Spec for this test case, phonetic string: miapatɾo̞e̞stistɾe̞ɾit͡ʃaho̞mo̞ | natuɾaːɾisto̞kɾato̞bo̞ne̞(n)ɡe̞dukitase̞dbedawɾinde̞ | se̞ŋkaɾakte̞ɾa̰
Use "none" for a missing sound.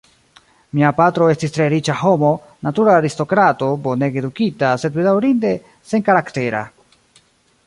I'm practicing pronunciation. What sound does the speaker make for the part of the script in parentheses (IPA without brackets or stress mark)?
none